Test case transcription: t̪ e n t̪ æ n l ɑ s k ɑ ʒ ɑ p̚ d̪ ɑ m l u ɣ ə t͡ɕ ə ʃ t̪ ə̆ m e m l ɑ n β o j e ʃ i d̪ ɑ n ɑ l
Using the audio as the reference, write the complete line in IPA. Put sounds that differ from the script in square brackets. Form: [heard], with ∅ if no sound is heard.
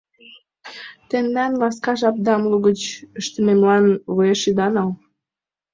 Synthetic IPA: t̪ e n [d̪] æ n l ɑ s k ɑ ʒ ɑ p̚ d̪ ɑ m l u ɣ ə t͡ɕ ə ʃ t̪ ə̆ m e m l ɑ n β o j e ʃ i d̪ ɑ n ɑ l